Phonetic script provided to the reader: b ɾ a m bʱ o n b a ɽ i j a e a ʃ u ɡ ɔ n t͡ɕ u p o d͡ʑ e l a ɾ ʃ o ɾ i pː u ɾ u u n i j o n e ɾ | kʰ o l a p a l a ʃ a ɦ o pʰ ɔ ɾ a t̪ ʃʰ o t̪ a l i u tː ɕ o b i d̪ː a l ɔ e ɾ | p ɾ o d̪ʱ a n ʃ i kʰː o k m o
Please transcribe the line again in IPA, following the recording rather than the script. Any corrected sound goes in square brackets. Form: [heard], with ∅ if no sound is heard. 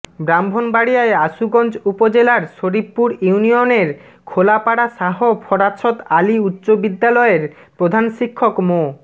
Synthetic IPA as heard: b ɾ a m bʱ o n b a ɽ i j a e a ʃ u ɡ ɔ n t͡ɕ u p o d͡ʑ e l a ɾ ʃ o ɾ i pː u ɾ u u n i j o n e ɾ | kʰ o l a p a [ɽ] a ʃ a ɦ o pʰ ɔ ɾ a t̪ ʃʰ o t̪ a l i u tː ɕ o b i d̪ː a l ɔ e ɾ | p ɾ o d̪ʱ a n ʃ i kʰː o k m o